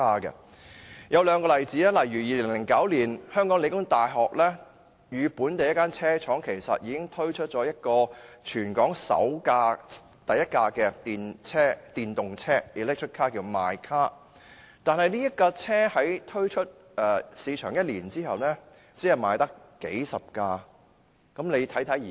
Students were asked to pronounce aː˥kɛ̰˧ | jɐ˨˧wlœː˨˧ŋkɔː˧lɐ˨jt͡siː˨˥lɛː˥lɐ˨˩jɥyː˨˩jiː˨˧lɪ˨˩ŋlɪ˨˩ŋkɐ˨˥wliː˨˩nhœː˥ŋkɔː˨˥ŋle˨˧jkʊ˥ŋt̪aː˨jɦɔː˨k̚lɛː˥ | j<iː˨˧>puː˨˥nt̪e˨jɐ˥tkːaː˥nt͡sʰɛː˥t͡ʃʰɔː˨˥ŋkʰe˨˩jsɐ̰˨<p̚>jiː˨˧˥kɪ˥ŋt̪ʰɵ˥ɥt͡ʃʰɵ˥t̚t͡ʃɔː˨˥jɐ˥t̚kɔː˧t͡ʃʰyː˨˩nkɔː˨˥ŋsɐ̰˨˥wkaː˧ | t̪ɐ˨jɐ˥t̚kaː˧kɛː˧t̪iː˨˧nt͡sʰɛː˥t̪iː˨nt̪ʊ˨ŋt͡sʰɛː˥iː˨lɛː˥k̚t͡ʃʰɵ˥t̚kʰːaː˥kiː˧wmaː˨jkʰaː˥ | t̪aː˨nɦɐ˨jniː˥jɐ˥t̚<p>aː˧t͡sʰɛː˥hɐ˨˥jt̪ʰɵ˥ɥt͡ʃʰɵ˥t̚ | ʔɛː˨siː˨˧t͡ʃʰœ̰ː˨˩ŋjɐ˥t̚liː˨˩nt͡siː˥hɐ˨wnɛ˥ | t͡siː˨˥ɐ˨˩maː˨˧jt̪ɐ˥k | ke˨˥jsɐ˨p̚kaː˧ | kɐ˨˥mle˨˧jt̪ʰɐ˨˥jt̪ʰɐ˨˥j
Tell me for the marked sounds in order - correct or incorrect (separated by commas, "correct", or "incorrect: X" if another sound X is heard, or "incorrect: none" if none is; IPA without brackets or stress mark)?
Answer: incorrect: yː˨˧, incorrect: t̚, incorrect: k